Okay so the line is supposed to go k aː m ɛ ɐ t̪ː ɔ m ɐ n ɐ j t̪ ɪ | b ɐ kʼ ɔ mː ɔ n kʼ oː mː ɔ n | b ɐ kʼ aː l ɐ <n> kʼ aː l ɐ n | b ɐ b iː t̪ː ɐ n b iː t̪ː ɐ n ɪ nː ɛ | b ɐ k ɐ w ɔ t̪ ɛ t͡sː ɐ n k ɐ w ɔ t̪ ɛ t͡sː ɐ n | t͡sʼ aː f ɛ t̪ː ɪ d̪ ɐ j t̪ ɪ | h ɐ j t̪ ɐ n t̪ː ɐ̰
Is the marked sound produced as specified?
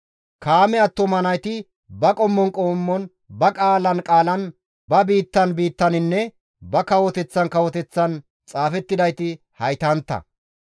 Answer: yes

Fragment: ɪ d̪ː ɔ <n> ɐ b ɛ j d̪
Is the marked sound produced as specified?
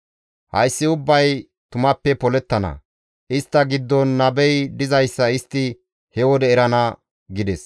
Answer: no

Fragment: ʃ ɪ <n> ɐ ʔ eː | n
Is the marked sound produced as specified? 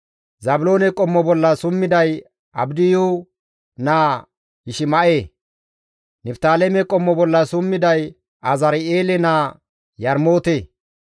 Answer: no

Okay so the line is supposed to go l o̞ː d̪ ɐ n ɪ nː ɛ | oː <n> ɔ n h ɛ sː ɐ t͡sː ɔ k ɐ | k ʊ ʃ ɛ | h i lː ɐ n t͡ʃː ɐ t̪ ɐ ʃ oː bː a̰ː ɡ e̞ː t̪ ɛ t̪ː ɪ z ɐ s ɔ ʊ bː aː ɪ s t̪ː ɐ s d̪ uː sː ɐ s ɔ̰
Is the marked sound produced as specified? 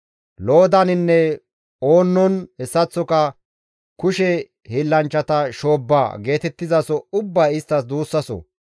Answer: no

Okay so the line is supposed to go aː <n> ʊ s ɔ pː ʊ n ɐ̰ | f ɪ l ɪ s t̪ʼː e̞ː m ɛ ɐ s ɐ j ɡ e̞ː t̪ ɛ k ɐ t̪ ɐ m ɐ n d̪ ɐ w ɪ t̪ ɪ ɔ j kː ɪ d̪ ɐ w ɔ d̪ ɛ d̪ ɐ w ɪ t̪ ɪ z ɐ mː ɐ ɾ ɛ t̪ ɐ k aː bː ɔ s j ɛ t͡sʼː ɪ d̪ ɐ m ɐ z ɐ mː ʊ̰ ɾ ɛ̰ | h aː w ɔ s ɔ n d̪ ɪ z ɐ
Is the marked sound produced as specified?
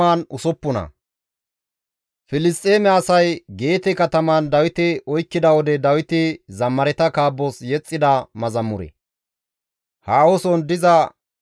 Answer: yes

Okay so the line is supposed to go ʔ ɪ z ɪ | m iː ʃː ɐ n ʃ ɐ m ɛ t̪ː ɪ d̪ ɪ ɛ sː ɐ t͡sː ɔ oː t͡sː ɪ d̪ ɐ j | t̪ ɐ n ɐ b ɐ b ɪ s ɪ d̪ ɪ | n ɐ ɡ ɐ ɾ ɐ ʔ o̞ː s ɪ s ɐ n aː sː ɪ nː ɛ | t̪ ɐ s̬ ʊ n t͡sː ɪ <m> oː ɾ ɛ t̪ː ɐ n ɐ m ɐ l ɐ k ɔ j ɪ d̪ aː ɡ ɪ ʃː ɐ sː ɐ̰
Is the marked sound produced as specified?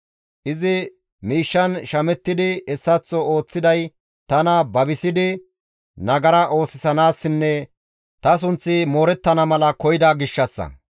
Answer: yes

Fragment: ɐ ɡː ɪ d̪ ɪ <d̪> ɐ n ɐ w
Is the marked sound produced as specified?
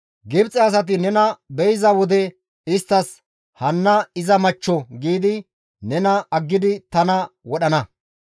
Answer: no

